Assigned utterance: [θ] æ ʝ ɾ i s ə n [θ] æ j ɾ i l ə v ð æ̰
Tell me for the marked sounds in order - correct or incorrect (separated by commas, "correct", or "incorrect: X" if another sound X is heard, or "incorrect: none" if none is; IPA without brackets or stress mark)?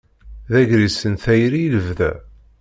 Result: incorrect: ð, correct